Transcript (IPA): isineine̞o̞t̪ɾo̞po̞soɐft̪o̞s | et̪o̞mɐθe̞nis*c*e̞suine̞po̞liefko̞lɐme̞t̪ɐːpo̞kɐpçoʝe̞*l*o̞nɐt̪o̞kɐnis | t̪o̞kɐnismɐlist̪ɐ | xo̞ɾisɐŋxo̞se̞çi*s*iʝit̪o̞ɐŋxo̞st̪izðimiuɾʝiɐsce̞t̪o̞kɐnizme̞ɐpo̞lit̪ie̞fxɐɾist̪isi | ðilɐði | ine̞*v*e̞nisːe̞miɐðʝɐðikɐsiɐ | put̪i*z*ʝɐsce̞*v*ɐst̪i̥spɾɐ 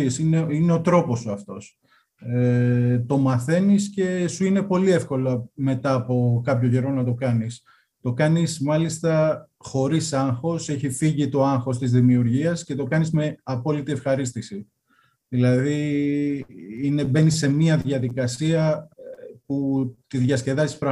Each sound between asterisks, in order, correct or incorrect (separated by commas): correct, incorrect, incorrect, incorrect, incorrect, incorrect